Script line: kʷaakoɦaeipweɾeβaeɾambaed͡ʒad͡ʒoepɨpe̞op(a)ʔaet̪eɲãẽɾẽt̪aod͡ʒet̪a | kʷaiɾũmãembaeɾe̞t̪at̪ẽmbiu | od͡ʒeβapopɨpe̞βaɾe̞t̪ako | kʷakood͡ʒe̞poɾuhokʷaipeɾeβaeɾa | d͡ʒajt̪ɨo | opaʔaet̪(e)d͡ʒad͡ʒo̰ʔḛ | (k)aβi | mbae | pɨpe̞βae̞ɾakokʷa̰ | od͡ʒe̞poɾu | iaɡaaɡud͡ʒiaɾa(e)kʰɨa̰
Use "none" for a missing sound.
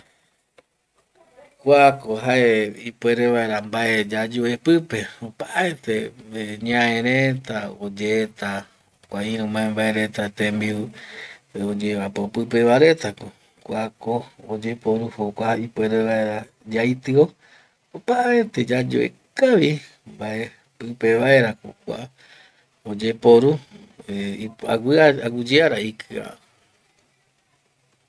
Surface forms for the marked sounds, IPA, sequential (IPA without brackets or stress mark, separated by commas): a, e, k, i